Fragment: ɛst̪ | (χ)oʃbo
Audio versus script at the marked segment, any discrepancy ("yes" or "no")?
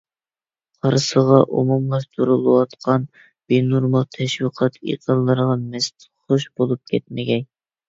no